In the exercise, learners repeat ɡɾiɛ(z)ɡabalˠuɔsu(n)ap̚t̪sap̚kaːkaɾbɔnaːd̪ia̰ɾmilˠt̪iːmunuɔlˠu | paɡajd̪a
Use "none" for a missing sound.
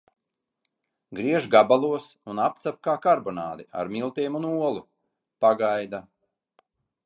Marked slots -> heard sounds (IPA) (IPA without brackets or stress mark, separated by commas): ʒ, n